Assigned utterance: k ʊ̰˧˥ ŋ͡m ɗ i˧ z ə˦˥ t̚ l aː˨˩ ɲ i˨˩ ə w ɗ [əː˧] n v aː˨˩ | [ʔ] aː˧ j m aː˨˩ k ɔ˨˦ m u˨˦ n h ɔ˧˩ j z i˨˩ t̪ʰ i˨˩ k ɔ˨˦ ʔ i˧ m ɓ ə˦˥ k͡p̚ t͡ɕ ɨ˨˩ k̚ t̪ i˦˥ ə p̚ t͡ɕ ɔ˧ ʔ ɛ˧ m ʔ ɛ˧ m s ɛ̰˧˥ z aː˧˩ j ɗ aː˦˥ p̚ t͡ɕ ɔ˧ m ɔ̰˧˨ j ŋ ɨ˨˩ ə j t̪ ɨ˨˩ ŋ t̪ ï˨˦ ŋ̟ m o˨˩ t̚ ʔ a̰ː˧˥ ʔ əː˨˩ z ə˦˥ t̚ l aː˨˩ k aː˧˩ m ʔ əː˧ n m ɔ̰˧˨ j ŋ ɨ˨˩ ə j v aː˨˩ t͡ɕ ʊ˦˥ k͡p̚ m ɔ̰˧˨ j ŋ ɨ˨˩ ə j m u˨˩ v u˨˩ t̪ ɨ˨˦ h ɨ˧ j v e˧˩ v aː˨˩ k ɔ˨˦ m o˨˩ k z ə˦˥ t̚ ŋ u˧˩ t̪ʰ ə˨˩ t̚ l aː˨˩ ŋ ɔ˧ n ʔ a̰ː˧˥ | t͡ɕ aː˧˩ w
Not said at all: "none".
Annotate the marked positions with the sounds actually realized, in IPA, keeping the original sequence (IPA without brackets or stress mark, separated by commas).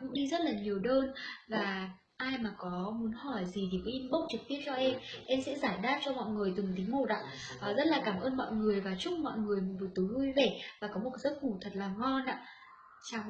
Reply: əː˧, ʔ